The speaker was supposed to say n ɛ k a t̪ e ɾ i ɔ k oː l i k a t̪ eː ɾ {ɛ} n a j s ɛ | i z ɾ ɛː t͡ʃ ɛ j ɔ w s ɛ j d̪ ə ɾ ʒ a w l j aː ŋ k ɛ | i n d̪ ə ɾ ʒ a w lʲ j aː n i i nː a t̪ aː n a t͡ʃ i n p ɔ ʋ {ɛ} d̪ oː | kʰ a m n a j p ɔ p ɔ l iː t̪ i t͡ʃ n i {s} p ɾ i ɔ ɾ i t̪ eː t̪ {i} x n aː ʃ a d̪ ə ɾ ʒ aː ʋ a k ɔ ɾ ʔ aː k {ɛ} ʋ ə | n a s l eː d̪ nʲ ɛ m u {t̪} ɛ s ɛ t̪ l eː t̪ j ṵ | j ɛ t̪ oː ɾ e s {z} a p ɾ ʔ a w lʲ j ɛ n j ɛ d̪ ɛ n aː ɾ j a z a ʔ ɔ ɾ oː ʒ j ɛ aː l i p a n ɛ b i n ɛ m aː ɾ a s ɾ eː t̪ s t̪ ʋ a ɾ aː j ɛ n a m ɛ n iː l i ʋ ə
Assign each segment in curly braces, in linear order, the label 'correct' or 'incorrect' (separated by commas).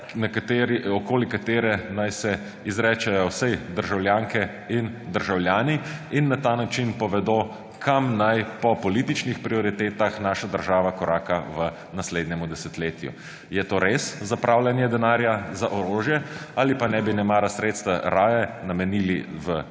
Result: correct, correct, incorrect, incorrect, incorrect, incorrect, correct